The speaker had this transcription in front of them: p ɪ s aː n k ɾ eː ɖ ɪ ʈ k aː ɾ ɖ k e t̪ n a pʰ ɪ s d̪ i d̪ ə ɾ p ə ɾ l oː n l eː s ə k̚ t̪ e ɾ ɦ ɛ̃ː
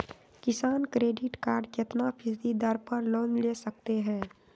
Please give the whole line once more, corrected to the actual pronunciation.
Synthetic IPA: k ɪ s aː n k ɾ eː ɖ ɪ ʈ k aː ɾ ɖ k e t̪ n a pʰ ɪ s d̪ i d̪ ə ɾ p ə ɾ l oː n l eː s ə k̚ t̪ e ɦ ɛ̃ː